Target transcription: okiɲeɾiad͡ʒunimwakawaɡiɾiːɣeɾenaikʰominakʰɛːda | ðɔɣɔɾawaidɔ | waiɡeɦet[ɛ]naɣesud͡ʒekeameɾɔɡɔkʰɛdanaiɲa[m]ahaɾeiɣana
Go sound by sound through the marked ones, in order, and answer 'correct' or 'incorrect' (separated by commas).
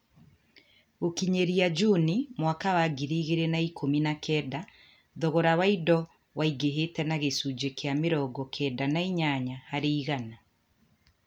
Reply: correct, incorrect